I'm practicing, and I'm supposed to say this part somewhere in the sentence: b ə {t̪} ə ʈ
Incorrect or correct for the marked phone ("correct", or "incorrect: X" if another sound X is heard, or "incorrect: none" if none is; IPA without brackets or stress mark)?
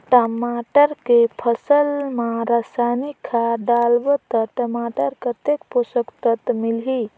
correct